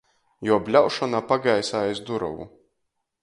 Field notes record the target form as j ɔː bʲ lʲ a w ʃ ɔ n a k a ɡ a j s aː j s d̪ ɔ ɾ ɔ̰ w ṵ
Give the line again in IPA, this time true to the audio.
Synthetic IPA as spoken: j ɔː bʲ lʲ a w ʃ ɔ n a p a ɡ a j s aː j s d̪ u ɾ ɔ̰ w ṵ